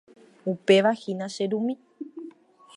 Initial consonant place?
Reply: labial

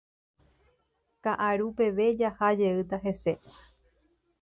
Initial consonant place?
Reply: velar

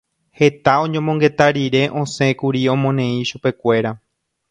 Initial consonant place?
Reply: glottal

